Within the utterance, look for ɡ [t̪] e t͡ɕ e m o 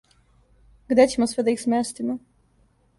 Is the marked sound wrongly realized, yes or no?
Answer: yes